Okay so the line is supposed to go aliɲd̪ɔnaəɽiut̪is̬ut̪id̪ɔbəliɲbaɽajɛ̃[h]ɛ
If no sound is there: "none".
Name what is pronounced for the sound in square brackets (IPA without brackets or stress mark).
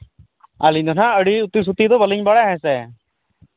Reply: s